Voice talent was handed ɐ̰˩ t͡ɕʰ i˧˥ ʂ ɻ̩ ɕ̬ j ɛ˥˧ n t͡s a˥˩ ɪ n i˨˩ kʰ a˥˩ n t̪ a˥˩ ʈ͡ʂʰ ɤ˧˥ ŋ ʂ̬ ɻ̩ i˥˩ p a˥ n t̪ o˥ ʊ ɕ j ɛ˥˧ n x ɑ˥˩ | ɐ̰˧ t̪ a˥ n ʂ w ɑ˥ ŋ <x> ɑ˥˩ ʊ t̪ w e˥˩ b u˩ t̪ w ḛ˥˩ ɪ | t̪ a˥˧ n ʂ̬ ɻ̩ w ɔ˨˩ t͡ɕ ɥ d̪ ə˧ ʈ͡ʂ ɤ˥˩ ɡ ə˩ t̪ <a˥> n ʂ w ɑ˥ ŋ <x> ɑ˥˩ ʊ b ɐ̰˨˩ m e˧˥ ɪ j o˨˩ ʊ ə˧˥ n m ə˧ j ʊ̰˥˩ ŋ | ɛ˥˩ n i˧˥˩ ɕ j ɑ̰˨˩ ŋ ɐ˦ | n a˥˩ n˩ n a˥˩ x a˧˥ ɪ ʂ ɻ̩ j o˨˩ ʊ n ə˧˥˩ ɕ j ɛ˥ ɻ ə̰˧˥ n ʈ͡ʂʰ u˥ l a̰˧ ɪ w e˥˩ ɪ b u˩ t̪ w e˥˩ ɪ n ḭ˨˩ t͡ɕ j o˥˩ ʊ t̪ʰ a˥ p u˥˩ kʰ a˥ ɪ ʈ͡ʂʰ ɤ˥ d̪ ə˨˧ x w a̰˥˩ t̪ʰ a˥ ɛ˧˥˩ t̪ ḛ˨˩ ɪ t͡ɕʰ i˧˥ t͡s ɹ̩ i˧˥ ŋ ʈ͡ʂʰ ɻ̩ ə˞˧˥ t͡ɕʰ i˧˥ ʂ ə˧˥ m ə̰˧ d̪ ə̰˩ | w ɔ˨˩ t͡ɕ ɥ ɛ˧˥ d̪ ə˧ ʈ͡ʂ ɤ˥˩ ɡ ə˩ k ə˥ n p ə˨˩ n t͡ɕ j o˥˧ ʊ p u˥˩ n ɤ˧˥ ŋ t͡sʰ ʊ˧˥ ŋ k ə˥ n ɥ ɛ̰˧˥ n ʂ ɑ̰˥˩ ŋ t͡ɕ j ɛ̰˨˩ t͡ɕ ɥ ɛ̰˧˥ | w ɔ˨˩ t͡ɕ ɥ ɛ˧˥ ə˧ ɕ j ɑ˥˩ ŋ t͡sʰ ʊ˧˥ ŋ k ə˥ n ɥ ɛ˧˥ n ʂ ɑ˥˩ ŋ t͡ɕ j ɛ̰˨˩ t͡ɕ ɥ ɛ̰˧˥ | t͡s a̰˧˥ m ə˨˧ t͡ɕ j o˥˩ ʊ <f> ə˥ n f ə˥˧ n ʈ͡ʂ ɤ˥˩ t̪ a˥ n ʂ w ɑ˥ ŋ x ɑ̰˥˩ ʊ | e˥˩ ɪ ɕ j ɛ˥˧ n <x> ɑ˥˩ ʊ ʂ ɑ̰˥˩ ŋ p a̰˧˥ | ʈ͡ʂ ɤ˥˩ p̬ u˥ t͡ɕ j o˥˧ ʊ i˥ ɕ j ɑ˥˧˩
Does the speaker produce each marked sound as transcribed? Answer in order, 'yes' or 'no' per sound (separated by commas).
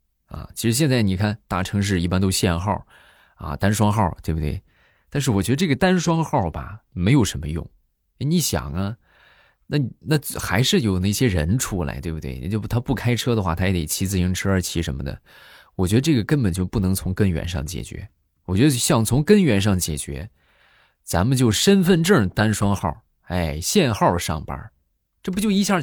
yes, yes, yes, no, yes